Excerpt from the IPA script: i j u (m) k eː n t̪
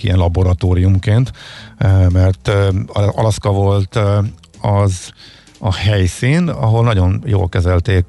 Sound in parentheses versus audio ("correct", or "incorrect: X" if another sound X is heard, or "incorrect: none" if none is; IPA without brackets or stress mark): correct